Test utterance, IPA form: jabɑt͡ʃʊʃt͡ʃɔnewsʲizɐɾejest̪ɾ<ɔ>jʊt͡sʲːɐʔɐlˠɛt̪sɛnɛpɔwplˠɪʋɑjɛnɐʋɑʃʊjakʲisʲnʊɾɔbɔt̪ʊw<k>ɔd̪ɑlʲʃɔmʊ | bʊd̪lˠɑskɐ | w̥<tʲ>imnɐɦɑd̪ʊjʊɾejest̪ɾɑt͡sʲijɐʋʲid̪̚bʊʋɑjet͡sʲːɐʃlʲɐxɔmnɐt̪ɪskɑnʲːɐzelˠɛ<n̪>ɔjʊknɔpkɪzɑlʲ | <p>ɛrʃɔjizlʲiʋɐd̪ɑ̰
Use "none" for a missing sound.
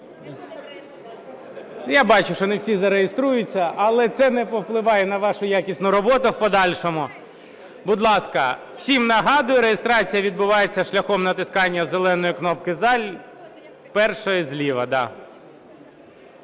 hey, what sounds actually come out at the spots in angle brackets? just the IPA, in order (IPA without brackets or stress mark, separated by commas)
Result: u, p, sʲ, n̪, p